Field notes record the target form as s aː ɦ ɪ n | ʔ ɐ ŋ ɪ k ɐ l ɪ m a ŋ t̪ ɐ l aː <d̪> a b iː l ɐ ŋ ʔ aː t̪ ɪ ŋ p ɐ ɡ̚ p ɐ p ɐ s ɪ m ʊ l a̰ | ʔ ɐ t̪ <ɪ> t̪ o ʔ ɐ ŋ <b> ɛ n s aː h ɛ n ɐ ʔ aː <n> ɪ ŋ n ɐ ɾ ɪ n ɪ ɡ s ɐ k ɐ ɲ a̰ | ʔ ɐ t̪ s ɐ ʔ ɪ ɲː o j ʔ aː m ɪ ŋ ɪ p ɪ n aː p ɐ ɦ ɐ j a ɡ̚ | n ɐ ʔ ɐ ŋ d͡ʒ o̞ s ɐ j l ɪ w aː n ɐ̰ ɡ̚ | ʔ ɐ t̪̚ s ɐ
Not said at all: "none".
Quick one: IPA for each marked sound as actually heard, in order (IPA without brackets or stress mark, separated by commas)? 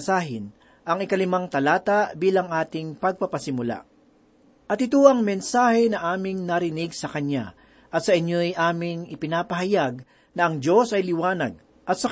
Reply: t̪, ɪ, m, m